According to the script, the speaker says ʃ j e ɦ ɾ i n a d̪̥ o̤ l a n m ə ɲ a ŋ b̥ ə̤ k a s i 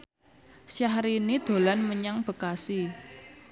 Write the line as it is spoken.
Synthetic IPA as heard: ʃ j a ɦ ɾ i n i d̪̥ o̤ l a n m ə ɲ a ŋ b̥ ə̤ k a s i